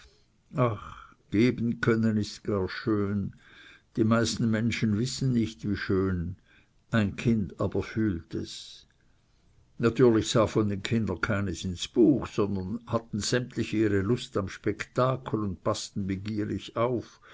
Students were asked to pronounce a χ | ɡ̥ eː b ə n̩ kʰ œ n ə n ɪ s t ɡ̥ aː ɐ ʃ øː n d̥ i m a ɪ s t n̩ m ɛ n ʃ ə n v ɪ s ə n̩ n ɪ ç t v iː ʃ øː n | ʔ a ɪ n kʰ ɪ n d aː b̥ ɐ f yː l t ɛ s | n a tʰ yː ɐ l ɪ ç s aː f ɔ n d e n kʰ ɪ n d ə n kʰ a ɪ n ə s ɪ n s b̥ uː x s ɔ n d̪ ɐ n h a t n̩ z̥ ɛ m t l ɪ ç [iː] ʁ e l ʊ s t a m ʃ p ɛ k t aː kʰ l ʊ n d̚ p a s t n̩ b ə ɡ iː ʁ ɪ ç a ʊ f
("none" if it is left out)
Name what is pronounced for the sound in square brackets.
iː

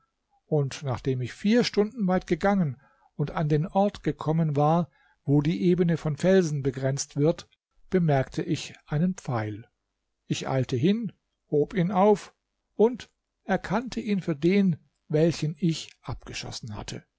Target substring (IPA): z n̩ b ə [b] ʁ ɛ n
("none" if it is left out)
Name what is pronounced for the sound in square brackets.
ɡ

